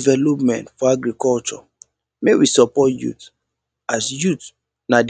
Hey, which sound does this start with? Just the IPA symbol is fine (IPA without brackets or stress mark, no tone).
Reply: v